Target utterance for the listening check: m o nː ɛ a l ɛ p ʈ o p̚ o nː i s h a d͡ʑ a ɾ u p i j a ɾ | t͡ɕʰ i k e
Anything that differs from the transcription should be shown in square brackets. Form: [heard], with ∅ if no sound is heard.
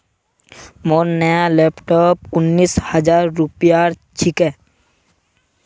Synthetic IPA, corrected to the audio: m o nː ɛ a l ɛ p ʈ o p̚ [u] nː i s h a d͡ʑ a [ɾː] u p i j a ɾ | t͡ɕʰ i k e